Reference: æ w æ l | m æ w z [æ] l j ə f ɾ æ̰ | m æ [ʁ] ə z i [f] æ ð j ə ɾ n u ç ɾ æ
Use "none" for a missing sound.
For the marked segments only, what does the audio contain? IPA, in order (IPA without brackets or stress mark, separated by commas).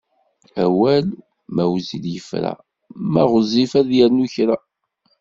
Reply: i, ʁ, f